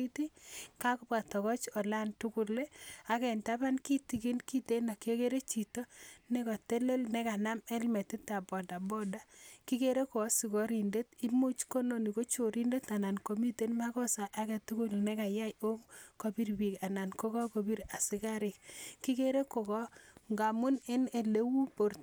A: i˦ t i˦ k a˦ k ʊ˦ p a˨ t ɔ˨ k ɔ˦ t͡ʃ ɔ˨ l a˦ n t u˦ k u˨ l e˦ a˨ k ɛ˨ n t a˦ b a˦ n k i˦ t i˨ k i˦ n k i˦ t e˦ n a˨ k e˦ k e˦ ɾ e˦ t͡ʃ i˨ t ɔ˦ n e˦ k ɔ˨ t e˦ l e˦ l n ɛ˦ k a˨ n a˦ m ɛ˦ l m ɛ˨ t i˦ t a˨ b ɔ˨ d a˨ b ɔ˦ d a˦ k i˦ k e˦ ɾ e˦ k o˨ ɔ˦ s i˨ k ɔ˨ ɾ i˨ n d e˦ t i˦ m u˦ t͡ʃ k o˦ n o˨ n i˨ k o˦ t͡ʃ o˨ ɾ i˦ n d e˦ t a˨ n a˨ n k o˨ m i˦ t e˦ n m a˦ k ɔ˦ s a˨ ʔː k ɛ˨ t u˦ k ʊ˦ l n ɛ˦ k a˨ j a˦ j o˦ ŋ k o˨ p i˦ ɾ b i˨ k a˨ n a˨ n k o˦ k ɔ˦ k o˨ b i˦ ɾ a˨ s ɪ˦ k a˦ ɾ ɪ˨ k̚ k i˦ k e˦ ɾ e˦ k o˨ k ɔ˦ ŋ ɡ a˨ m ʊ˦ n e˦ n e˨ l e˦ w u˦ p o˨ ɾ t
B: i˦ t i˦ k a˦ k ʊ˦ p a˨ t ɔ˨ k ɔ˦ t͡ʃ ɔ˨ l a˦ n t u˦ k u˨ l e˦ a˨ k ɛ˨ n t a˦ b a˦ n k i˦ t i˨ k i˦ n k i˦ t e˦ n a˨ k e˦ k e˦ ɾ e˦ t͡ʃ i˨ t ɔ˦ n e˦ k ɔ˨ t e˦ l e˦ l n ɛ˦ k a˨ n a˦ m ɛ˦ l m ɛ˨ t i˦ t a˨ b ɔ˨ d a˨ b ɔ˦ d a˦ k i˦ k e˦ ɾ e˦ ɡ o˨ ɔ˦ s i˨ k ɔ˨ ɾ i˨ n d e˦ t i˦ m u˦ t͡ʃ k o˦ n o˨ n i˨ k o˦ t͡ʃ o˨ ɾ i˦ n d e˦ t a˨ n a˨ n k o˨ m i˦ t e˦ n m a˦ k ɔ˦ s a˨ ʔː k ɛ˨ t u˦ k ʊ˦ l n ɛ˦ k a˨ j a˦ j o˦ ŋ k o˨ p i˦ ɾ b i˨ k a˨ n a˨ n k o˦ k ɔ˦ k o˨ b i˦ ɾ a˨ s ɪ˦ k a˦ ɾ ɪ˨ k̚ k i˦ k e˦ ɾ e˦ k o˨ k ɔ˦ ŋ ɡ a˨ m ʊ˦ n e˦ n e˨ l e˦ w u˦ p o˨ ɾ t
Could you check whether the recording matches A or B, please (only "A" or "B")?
A